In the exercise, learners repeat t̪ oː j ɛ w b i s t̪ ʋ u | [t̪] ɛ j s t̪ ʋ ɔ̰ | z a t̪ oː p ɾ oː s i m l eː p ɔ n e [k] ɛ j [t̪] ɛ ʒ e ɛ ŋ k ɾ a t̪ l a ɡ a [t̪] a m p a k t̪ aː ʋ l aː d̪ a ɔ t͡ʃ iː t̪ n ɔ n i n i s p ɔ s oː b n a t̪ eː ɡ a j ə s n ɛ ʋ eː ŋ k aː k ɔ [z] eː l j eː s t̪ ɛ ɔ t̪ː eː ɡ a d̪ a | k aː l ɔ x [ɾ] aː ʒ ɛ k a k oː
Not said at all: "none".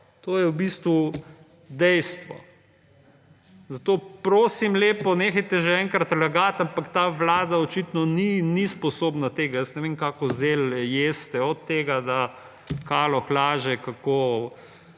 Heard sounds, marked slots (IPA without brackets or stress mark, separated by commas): d̪, x, t̪, t̪, z, l